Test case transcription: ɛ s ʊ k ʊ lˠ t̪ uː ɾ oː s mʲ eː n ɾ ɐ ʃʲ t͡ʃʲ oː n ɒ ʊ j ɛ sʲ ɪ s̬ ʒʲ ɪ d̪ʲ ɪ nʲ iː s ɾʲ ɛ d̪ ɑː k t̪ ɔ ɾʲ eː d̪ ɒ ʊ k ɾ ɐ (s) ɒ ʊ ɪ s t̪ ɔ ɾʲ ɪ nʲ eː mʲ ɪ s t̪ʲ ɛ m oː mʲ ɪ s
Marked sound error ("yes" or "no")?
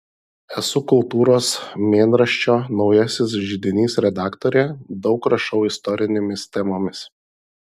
yes